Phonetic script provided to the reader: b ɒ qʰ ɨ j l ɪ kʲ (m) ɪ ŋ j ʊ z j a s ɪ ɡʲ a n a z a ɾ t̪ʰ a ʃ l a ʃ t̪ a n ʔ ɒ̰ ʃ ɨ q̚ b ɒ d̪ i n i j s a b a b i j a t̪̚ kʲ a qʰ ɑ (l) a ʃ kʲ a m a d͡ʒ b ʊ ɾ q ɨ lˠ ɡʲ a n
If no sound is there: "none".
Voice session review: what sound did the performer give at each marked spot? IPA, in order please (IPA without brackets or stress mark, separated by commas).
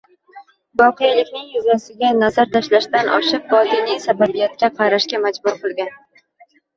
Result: n, ɾ